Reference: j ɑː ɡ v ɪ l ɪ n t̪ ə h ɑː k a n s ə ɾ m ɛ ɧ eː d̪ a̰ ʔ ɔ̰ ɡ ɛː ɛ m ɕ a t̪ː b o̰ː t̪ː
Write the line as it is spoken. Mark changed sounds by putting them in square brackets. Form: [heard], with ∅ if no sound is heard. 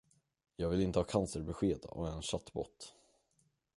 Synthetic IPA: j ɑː ɡ v ɪ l ɪ n t̪ ə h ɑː [kʰ] a n s ə ɾ [b] ɛ ɧ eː d̪ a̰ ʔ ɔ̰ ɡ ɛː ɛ [n] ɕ a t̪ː b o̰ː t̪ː